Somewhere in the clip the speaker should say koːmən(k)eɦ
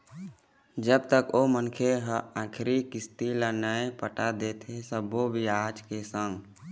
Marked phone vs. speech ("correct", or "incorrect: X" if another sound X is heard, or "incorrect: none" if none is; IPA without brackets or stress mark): incorrect: kʰ